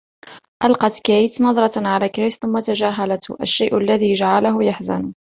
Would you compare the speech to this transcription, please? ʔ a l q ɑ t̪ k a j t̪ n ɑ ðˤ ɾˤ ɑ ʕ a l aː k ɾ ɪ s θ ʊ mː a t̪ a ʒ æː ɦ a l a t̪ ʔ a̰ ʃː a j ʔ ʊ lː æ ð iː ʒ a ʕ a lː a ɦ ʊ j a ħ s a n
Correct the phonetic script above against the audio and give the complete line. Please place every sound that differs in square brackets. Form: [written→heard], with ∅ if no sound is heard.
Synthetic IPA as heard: ʔ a l q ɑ t̪ k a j t̪ n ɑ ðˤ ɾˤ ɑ ʕ a l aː k ɾ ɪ s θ ʊ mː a t̪ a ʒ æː ɦ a l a t̪ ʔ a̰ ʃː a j ʔ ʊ lː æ ð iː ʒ a ʕ a [lː→l] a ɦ ʊ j a ħ [s→z] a n